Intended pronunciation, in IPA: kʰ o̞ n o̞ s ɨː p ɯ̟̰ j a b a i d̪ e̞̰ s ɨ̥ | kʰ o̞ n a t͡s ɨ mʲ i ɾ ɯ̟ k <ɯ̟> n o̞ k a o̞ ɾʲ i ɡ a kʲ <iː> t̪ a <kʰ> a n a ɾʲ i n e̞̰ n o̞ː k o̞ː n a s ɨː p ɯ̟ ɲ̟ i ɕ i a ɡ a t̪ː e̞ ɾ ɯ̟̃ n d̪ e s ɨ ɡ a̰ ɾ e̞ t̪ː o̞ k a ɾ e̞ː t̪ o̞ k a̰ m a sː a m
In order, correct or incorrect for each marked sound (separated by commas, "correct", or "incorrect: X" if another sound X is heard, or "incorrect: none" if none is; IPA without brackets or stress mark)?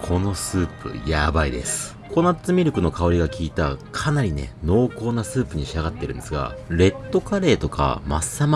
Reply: correct, correct, correct